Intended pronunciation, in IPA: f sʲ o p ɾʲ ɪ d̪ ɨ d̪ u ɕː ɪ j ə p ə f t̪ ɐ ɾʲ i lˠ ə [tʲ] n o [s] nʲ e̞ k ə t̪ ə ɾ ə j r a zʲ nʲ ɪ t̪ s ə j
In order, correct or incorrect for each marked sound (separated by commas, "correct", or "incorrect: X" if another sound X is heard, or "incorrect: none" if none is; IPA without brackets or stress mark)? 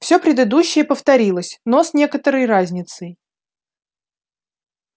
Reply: incorrect: sʲ, correct